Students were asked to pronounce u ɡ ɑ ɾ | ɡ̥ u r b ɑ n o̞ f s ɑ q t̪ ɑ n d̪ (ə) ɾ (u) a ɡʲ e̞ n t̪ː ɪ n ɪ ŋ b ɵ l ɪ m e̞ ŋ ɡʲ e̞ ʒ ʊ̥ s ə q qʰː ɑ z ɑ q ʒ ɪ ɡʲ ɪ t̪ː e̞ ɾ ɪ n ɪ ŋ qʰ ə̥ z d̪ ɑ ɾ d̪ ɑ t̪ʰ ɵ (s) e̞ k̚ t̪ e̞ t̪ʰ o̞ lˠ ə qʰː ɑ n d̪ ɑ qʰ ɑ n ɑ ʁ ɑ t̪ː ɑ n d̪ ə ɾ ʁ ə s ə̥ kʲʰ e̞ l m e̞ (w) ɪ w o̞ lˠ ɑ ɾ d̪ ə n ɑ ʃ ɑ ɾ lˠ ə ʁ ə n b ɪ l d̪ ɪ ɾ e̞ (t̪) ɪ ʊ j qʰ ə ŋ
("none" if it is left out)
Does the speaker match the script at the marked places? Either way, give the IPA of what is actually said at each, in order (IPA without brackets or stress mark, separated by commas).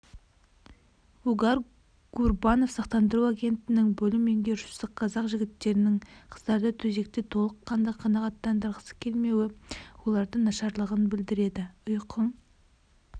ə, u, z, w, d̪